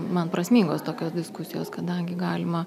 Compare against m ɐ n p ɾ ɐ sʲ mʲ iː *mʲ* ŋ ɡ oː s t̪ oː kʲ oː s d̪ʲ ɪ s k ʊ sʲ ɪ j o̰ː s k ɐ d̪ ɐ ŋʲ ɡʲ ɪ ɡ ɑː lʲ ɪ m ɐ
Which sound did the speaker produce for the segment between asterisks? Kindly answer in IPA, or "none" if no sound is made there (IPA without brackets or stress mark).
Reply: none